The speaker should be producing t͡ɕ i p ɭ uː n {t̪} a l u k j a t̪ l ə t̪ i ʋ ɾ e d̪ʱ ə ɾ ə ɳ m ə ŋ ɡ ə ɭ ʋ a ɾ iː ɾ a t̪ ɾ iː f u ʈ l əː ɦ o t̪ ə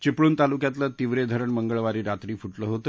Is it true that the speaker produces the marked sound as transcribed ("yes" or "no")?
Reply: yes